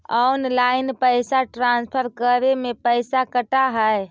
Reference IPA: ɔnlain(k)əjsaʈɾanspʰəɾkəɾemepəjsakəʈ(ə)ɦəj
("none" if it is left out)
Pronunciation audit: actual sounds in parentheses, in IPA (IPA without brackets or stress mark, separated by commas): p, a